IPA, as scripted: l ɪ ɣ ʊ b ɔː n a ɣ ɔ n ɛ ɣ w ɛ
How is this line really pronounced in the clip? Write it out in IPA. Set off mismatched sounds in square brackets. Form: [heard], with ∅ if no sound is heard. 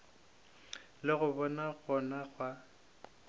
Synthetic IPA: l ɪ ɣ ʊ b [ɔ] n a ɣ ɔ n [a] ɣ w [a]